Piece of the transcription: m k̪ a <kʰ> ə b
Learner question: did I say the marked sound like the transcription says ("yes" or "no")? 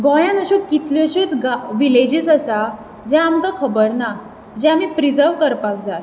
yes